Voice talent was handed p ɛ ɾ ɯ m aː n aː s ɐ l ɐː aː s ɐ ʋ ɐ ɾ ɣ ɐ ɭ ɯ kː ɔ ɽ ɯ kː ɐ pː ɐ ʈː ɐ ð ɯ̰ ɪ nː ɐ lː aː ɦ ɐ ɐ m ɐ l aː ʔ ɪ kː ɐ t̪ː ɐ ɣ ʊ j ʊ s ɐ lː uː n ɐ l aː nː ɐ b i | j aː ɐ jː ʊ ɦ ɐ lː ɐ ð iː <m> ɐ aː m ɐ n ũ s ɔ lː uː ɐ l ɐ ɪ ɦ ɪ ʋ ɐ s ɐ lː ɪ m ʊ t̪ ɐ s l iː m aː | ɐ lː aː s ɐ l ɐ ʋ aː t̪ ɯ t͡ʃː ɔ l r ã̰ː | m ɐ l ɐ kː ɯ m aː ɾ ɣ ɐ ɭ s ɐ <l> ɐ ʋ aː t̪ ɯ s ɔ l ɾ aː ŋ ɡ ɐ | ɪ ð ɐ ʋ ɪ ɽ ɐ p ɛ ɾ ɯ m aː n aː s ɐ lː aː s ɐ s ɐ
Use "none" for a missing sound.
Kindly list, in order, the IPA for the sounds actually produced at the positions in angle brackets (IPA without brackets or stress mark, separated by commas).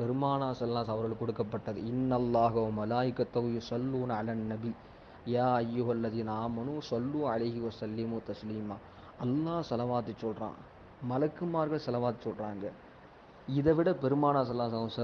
n, l